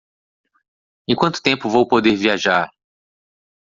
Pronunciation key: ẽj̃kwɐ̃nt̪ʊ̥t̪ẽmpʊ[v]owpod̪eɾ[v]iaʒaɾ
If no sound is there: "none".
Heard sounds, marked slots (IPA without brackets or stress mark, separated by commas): v, v